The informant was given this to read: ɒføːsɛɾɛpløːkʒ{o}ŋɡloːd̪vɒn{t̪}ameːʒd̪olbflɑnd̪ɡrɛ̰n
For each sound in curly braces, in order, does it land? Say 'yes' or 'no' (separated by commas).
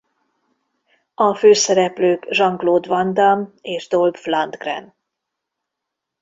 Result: no, no